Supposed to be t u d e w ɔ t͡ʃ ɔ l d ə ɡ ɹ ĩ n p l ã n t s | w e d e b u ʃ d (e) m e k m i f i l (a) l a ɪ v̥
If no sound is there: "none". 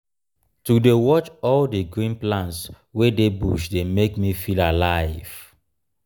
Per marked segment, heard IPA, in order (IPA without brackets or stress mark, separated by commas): e, a